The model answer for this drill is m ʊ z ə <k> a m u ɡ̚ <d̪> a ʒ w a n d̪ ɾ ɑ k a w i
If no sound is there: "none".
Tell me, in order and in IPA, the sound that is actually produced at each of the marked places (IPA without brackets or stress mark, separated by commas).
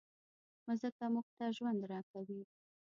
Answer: k, t̪